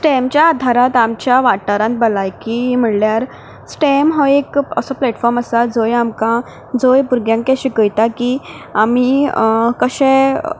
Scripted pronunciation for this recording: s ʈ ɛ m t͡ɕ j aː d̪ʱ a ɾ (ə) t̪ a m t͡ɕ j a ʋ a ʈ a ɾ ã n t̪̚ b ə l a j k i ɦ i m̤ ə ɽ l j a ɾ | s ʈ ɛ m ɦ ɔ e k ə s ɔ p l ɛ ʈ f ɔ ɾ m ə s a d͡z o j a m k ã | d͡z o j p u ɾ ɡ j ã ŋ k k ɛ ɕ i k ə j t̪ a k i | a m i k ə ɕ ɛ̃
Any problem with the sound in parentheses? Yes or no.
yes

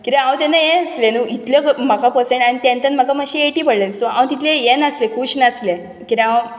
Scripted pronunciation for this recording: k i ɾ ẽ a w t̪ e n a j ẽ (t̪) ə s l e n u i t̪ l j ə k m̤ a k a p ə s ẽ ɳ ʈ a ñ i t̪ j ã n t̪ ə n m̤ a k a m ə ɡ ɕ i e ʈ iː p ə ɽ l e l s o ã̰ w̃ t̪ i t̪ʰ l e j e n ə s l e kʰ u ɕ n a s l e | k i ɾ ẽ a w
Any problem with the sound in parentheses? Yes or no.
yes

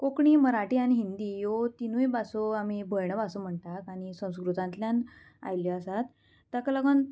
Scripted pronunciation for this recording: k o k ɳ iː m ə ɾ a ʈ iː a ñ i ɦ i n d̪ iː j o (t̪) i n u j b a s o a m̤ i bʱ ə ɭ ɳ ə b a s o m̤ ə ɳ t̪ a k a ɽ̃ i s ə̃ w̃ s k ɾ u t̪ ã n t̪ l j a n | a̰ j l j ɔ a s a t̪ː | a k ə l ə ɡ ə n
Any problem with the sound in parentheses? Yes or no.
no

